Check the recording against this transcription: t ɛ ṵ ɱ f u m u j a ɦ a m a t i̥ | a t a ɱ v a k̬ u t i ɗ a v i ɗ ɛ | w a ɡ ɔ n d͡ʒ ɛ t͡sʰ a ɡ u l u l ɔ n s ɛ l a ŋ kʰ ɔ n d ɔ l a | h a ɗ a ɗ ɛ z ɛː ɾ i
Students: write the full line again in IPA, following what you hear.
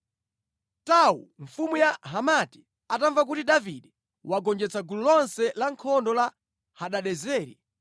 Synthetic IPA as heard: t a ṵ ɱ f u m u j a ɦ a m a t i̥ | a t a ɱ v a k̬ u t i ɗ a v i ɗ ɛ | w a ɡ ɔ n d͡ʒ ɛ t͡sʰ a ɡ u l u l ɔ n s ɛ l a ŋ kʰ ɔ n d ɔ l a | h a ɗ a ɗ ɛ z ɛː ɾ i